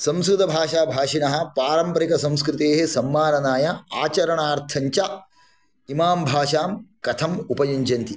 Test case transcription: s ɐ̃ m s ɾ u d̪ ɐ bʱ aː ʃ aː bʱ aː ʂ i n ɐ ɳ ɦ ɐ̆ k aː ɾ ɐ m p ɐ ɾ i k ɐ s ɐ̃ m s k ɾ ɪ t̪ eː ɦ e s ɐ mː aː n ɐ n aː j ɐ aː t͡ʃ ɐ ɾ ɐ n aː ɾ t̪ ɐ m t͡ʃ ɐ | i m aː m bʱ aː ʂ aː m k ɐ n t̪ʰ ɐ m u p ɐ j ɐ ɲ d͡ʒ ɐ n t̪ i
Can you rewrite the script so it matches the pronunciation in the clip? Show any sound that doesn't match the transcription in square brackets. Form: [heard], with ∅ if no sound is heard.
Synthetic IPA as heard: s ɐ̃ m s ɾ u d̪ ɐ bʱ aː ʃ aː bʱ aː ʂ i n ɐ [∅] ɦ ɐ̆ [p] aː ɾ ɐ m p ɐ ɾ i k ɐ s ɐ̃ m s k ɾ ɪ t̪ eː ɦ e s ɐ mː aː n ɐ n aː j ɐ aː t͡ʃ ɐ ɾ ɐ [ɳ] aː ɾ [t̪ʰ] ɐ [ɲ] t͡ʃ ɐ | i m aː m bʱ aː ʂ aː m k ɐ [∅] t̪ʰ ɐ m u p ɐ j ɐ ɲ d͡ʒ ɐ n t̪ i